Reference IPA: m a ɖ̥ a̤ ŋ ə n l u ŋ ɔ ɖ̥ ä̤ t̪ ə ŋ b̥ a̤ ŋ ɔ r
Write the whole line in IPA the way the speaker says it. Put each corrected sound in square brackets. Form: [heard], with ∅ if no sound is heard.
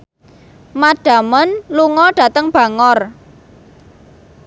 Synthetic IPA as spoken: m a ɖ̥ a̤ [m] ə n l u ŋ ɔ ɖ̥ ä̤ t̪ ə ŋ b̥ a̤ ŋ ɔ r